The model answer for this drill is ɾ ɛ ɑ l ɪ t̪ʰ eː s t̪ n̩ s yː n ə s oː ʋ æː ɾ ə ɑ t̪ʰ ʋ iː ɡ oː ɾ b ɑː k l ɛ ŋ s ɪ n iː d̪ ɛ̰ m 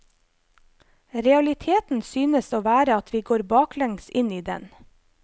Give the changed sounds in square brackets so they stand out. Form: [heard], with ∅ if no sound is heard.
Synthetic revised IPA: ɾ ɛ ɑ l ɪ t̪ʰ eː [∅] t̪ n̩ s yː n ə s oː ʋ æː ɾ ə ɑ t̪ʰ ʋ iː ɡ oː ɾ b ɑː k l ɛ ŋ s ɪ n iː d̪ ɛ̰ [n]